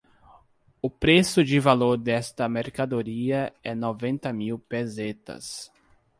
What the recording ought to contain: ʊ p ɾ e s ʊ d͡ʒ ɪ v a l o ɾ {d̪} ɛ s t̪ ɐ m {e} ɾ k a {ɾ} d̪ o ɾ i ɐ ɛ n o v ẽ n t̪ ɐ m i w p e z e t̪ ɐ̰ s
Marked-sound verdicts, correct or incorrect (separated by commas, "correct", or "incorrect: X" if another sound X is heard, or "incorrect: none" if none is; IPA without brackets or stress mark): correct, correct, incorrect: none